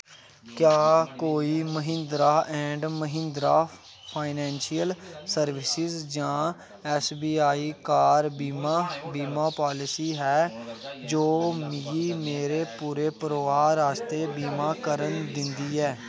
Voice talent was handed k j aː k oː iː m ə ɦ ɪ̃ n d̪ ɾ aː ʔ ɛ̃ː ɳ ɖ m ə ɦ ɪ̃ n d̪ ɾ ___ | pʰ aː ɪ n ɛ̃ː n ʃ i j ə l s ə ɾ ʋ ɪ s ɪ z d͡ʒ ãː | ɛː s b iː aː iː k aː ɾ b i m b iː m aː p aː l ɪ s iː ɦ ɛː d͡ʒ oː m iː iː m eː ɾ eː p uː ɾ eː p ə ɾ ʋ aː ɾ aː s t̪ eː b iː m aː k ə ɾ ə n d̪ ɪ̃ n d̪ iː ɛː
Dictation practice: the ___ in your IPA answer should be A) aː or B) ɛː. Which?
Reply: A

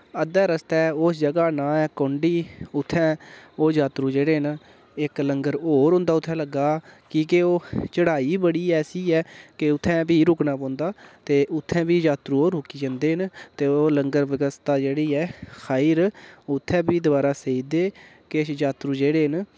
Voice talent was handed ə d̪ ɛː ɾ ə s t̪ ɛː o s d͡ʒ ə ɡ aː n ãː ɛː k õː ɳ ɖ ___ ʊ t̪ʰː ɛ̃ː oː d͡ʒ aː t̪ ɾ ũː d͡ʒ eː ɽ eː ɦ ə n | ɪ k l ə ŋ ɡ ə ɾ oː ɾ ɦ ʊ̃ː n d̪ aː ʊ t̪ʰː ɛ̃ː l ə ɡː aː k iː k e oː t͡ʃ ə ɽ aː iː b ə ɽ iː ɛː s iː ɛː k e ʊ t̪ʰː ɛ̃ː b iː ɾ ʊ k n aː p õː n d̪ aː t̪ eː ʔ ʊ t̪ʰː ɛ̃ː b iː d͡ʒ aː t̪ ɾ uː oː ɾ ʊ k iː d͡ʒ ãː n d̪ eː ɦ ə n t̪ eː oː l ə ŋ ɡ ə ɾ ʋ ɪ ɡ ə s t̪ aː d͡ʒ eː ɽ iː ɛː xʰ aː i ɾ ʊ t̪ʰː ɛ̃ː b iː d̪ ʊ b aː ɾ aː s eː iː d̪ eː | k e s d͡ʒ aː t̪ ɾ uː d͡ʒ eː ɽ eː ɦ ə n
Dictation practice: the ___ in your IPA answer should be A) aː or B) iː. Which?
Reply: B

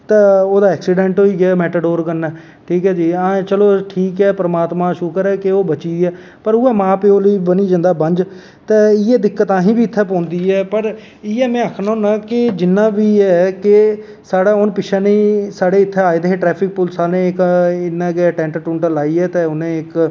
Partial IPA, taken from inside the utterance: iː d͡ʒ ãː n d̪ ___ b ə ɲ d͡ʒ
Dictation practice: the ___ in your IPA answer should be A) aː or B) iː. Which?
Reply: A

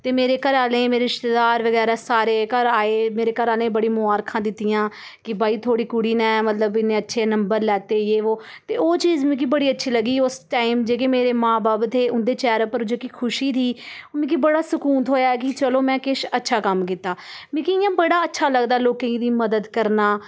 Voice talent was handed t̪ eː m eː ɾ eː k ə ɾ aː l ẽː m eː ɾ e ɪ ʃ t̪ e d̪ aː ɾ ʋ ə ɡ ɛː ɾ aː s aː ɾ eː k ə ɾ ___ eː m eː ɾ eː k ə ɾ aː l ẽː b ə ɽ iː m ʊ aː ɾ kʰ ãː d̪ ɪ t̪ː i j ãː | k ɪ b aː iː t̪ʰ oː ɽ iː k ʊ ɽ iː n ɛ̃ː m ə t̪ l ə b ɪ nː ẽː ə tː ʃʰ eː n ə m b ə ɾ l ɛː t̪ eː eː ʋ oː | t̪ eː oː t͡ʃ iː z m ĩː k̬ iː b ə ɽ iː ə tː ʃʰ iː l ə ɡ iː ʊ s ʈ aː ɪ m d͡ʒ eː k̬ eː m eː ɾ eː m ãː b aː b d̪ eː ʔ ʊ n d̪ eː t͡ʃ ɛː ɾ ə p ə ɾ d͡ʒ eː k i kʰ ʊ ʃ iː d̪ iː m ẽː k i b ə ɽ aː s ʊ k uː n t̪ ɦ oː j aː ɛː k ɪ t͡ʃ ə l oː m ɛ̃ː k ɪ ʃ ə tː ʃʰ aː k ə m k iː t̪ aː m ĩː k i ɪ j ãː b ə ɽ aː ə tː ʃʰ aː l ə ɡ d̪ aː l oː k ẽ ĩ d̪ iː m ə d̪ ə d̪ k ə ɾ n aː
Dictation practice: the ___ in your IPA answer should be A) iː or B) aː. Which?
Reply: B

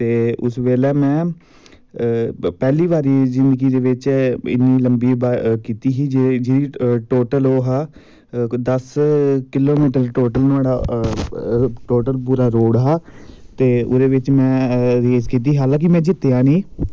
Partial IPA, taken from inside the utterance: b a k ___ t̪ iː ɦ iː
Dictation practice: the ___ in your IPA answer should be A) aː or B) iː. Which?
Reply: B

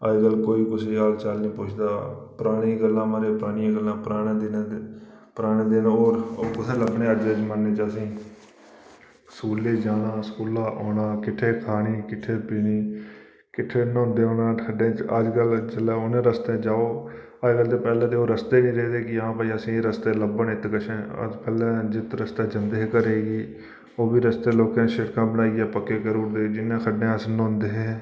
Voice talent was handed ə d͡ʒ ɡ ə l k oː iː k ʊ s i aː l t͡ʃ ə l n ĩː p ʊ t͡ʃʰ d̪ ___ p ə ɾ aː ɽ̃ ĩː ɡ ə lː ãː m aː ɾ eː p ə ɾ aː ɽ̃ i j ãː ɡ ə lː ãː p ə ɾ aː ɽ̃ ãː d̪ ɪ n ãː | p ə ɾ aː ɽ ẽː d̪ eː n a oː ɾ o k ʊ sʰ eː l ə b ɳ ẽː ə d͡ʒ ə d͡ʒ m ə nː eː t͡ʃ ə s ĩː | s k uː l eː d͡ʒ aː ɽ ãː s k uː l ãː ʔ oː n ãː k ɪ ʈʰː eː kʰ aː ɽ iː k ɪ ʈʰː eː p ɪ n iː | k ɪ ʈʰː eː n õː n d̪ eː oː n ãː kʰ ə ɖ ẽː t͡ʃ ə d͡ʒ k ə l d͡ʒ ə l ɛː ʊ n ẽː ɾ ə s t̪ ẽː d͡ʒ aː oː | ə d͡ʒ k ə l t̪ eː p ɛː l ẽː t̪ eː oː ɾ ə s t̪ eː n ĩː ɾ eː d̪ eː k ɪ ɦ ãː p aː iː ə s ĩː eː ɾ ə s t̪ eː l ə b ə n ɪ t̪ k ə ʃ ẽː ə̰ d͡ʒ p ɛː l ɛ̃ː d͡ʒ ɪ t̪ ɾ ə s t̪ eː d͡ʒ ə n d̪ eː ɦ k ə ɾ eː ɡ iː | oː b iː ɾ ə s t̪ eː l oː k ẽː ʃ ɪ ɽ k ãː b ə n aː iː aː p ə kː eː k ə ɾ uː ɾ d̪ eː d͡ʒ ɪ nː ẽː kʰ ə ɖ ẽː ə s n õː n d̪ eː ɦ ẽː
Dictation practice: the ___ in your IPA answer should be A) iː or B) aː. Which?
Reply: B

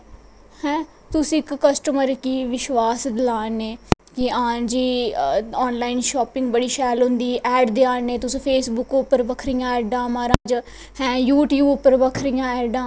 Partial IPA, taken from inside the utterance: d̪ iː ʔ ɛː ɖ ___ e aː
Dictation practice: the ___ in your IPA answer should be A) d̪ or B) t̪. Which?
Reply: A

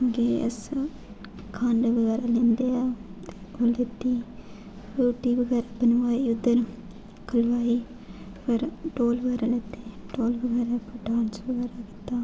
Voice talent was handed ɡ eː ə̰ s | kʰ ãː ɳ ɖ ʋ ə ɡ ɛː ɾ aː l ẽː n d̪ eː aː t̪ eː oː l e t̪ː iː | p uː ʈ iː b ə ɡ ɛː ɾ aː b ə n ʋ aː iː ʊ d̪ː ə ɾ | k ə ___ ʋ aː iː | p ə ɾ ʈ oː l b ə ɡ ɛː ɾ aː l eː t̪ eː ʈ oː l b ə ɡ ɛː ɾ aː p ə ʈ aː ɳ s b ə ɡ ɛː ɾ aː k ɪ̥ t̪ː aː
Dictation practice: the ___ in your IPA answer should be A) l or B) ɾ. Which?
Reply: A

